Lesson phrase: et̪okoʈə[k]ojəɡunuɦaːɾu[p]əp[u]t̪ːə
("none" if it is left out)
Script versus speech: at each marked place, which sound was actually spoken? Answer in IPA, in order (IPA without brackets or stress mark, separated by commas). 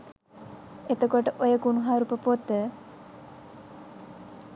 ʔ, p, o